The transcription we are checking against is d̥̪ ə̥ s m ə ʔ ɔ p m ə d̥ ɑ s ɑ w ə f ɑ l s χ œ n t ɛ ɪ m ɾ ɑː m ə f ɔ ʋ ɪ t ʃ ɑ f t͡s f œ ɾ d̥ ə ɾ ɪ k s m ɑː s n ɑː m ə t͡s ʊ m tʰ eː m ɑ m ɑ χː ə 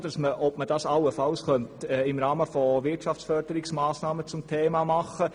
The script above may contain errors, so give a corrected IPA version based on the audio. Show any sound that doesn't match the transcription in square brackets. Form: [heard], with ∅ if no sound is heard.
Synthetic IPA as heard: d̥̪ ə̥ s m ə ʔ ɔ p m ə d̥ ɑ s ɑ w ə f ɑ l s χ œ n t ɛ ɪ m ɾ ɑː m ə f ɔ ʋ ɪ t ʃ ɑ f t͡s f œ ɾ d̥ ə ɾ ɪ k s m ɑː s n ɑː m ə t͡s ʊ m tʰ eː m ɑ m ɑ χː ə